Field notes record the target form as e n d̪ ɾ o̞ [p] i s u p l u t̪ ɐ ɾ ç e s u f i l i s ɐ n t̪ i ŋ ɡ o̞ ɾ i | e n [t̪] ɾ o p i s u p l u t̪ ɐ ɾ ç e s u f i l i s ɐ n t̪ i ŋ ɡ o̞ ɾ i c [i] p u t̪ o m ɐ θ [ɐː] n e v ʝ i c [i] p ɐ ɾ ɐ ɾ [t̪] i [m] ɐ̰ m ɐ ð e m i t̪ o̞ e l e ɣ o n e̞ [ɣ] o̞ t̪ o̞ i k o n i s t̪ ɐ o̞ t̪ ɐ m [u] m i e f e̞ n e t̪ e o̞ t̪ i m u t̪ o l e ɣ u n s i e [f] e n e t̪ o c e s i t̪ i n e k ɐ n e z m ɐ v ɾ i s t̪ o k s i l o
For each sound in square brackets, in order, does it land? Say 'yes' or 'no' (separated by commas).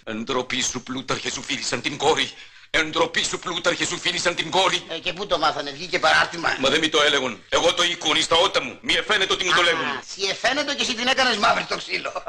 yes, no, no, no, no, yes, yes, yes, yes, yes